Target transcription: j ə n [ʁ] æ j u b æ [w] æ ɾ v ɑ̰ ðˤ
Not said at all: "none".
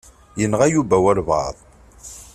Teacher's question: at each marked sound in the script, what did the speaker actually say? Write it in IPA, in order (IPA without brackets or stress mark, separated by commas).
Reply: ʁ, w